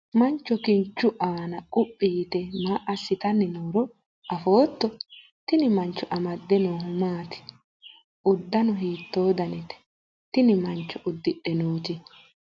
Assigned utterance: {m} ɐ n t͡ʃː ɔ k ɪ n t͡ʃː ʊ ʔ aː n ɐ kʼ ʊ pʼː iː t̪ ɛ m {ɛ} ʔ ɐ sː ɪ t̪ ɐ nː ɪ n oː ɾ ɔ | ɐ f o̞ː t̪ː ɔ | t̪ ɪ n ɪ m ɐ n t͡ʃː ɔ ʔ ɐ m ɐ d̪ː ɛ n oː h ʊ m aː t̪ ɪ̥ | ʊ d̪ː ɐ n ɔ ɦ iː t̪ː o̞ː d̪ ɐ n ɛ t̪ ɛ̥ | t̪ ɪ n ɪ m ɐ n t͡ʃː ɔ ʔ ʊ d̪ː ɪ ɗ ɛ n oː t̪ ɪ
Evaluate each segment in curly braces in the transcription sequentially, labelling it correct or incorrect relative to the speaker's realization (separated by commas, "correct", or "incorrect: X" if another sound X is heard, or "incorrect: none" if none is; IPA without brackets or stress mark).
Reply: correct, incorrect: a